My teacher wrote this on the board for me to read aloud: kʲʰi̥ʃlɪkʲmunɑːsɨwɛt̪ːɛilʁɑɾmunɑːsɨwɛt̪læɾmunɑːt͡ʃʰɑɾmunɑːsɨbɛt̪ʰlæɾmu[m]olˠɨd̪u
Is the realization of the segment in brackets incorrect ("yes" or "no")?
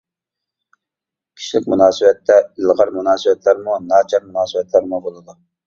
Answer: yes